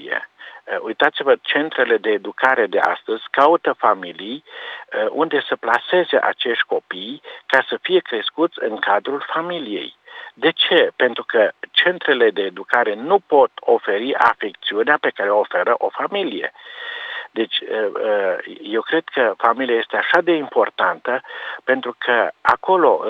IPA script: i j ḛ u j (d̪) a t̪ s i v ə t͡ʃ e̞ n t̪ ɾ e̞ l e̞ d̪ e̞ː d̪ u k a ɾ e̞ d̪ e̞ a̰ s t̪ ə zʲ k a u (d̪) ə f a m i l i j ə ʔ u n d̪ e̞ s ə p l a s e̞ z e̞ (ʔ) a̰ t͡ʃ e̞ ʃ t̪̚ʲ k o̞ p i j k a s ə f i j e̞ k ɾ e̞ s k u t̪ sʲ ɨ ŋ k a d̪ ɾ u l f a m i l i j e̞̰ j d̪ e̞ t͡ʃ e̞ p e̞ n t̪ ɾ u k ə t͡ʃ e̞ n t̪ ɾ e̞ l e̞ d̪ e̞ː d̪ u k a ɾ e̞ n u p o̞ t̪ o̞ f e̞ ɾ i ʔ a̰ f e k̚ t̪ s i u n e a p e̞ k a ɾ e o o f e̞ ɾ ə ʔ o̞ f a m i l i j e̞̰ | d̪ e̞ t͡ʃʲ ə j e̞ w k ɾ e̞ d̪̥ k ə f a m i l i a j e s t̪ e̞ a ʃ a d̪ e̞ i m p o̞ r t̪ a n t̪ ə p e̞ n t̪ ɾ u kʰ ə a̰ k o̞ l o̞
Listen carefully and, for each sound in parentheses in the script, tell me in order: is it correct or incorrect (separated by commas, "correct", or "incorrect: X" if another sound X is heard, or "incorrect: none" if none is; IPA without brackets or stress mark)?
incorrect: t̪, incorrect: t̪, correct